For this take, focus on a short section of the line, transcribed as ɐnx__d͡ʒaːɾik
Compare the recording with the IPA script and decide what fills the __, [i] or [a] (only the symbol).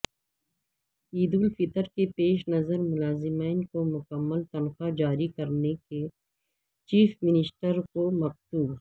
a